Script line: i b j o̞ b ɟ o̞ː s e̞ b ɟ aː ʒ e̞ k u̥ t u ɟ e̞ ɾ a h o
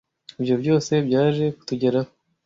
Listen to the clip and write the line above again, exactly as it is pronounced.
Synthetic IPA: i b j o̞ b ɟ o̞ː s e̞ b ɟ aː ʒ e̞ k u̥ t u ɟ e̞ ɾ a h o